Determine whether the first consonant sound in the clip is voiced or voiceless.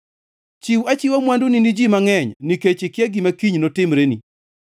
voiceless